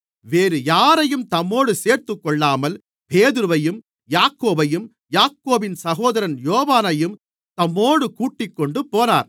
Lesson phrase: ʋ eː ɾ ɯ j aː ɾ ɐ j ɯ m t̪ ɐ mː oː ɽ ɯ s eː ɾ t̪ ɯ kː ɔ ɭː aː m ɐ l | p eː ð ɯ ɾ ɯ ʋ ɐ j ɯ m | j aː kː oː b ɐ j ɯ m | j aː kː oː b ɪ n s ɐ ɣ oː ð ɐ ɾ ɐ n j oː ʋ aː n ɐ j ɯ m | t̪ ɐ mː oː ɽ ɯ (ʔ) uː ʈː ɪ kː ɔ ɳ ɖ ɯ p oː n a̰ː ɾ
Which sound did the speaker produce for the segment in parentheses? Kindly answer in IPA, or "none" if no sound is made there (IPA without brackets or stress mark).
k